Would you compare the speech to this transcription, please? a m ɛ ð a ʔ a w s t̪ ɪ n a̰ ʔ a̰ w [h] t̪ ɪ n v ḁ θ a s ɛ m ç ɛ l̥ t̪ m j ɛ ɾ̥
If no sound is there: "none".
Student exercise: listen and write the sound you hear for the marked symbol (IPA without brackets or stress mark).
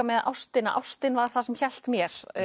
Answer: s